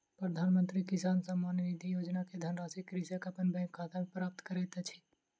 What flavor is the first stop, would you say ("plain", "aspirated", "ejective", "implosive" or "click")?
plain